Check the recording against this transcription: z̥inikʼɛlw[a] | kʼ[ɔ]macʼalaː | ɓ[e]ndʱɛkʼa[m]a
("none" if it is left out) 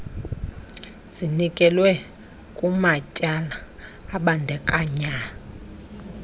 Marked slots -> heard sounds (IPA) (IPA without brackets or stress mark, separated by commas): ɛ, u, a, ɲ